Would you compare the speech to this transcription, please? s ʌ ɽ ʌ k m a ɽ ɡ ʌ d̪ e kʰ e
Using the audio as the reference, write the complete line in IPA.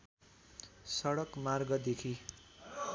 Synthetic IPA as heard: s ʌ ɽ ʌ k m a r ɡ ʌ d̪ e kʰ i